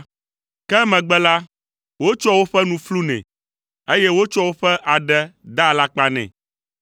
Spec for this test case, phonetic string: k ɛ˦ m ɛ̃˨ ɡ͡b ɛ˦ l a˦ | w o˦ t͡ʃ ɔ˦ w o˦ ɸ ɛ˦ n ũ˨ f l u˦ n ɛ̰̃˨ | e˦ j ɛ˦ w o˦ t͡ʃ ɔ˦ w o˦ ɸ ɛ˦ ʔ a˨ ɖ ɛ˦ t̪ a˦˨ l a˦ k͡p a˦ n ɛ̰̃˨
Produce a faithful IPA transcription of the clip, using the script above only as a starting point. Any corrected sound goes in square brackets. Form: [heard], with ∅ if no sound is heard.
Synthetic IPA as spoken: k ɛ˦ m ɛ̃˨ ɡ͡b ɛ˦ l a˦ | w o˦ t͡ʃ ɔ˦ w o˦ ɸ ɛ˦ n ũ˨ f l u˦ n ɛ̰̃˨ | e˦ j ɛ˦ w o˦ t͡ʃ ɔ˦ w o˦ ɸ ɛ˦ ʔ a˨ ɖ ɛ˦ [d̪] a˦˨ l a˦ k͡p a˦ n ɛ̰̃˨

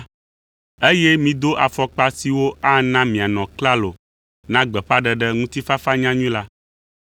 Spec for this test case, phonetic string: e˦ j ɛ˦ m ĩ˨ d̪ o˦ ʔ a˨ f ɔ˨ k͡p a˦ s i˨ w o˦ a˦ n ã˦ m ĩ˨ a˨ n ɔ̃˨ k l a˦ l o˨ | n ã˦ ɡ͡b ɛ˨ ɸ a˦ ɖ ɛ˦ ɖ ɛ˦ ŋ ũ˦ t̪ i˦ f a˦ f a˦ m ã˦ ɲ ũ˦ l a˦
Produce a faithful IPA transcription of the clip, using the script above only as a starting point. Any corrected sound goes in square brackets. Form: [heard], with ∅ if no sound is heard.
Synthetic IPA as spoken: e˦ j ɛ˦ m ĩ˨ d̪ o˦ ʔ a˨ f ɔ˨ k͡p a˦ s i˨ w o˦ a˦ n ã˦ m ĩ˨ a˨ n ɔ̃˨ k l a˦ l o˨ | n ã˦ ɡ͡b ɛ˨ ɸ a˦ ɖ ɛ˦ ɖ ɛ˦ ŋ ũ˦ t̪ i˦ f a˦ f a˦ [ɲ] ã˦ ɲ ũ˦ l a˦

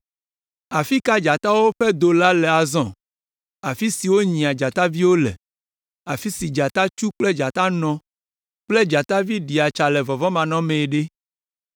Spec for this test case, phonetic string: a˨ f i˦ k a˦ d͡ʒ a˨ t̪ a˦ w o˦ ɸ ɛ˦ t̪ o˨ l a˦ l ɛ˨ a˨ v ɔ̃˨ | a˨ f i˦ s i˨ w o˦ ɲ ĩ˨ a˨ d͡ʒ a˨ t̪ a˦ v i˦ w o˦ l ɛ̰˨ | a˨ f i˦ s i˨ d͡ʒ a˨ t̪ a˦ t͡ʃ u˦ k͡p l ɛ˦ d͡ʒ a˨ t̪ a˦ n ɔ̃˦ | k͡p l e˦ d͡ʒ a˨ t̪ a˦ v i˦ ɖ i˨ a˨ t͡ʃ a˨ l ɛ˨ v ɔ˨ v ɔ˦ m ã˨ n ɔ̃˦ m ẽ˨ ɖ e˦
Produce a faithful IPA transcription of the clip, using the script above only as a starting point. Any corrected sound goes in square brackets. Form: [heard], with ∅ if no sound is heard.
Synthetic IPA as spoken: a˨ f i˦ k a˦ d͡ʒ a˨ t̪ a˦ w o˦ ɸ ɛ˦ [d̪] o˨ l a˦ l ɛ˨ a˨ [z] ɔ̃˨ | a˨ f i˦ s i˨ w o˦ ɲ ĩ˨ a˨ d͡ʒ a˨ t̪ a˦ v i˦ w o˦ l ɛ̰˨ | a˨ f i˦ s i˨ d͡ʒ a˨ t̪ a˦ t͡ʃ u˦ k͡p l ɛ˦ d͡ʒ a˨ t̪ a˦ n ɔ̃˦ | k͡p l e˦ d͡ʒ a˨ t̪ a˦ v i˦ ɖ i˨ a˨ t͡ʃ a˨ l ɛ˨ v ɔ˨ v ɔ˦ m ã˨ n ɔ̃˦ m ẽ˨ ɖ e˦

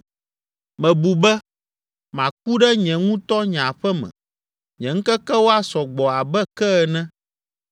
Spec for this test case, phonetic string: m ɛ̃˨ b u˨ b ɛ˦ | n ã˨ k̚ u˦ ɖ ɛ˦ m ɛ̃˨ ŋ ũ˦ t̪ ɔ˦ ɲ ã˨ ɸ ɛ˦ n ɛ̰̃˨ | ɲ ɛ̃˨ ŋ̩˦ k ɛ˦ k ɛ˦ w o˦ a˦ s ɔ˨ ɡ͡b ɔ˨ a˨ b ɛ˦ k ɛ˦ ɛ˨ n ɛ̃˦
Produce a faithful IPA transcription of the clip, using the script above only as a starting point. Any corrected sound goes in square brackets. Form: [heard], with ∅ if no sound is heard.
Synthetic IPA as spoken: m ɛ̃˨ b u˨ b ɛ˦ | [m] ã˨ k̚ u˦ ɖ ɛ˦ [ɲ] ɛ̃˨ ŋ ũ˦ t̪ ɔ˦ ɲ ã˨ ɸ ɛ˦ [m] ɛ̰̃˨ | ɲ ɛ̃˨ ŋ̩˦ k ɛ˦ k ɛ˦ w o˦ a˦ s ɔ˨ ɡ͡b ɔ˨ a˨ b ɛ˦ k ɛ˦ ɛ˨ n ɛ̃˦

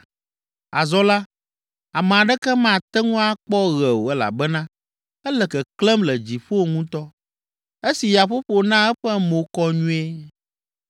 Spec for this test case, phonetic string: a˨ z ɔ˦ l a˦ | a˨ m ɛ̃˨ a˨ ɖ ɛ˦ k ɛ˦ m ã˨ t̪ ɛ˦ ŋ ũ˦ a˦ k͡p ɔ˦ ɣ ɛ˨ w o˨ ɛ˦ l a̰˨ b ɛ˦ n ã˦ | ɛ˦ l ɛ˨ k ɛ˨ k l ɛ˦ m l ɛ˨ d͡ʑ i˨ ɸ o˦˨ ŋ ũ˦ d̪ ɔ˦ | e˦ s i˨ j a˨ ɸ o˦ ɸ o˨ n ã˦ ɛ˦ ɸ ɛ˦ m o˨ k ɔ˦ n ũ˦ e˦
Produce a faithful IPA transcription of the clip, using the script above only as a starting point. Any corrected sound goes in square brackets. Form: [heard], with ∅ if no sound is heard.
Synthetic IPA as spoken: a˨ z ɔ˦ l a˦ | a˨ m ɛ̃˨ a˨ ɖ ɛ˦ k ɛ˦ m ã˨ t̪ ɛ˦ ŋ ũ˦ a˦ k͡p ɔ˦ ɣ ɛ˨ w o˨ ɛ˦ l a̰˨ b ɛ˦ n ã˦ | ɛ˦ l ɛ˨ k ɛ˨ k l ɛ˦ m l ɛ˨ d͡ʑ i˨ ɸ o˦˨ ŋ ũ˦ [t̪] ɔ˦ | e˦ s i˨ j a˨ ɸ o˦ ɸ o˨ n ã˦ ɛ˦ ɸ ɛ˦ m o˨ k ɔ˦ [ɲ] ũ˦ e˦

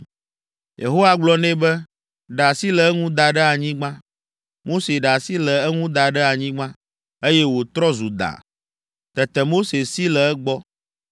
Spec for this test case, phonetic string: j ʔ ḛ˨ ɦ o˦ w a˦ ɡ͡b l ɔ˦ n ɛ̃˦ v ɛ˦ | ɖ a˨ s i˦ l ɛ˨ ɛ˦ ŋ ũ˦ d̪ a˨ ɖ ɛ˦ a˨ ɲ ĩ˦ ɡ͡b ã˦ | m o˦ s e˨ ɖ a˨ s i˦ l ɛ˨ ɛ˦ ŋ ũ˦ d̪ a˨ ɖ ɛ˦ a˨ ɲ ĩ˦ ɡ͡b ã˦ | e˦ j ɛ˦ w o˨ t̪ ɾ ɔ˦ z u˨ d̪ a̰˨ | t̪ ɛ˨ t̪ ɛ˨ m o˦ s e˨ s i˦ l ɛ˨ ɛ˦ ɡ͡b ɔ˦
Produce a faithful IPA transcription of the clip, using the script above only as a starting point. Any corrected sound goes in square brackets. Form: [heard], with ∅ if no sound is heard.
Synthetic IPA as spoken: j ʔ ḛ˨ ɦ o˦ w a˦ ɡ͡b l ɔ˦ n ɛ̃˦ [b] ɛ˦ | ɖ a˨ s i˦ l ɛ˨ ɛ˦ ŋ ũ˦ d̪ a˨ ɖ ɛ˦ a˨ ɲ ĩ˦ ɡ͡b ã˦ | m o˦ s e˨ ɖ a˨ s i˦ l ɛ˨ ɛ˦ ŋ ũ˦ d̪ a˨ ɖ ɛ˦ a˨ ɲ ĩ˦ ɡ͡b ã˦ | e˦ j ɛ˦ w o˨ t̪ ɾ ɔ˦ z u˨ d̪ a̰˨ | t̪ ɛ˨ t̪ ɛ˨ m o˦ s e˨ s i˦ l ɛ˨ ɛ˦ ɡ͡b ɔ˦

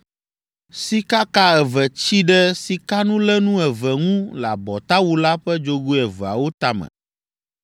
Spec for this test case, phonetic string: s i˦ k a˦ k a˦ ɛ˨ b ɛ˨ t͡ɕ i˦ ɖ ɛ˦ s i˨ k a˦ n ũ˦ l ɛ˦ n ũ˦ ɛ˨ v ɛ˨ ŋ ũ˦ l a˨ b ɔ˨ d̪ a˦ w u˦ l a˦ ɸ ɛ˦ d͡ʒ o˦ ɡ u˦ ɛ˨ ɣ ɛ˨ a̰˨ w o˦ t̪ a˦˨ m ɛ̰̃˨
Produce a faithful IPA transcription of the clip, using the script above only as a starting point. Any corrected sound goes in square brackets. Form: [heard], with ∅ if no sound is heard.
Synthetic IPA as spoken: s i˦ k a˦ k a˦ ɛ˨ [v] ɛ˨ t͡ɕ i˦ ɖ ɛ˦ s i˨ k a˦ n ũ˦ l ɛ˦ n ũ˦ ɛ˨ v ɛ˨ ŋ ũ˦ l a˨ b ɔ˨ [t̪] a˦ w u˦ l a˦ ɸ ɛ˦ d͡ʒ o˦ ɡ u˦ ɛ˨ [v] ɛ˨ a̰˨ w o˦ t̪ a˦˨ m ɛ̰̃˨

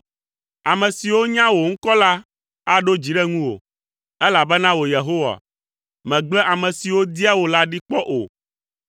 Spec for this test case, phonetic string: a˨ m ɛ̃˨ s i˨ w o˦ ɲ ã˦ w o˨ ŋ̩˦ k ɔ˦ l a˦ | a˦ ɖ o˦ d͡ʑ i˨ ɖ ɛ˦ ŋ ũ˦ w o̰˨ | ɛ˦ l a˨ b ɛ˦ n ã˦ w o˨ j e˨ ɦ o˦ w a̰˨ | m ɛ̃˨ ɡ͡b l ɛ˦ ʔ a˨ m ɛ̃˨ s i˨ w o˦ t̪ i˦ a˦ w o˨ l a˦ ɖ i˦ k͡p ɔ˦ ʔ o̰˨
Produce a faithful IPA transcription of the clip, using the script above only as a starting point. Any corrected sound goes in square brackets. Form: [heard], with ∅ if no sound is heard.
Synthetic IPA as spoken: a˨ m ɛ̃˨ s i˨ w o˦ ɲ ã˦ w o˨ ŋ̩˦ k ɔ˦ l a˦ | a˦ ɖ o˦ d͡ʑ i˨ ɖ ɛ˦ ŋ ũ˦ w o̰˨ | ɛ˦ l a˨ b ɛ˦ n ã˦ w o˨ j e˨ ɦ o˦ w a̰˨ | m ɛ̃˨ ɡ͡b l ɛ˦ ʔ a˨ m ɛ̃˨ s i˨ w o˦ [d̪] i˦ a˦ w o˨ l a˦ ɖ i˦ k͡p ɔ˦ ʔ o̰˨

